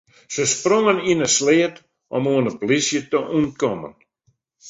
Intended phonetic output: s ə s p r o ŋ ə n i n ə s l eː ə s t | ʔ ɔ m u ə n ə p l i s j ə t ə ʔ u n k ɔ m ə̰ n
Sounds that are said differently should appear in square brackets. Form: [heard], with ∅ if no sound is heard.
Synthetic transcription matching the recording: s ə s p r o ŋ ə n i n ə s l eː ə [∅] t | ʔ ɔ m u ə n ə p l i s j ə t ə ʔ u n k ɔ m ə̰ n